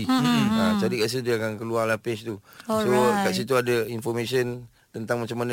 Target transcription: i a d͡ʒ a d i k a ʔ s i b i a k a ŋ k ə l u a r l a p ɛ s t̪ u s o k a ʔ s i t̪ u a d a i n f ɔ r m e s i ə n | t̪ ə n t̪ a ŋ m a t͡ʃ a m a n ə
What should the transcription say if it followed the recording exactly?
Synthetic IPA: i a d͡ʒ a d i k a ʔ s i d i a k a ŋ k ə l u a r l a p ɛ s t̪ u s o k a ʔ s i t̪ u a d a i n f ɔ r m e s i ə n | t̪ ə n t̪ a ŋ m a t͡ʃ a m a n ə